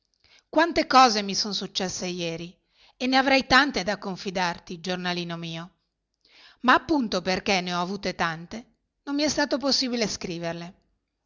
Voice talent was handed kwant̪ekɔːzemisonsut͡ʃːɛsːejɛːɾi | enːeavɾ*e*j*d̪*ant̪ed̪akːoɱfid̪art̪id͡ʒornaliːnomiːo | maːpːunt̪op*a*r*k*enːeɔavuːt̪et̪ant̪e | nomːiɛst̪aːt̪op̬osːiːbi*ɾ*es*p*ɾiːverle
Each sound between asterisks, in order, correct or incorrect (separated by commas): incorrect, incorrect, incorrect, correct, incorrect, incorrect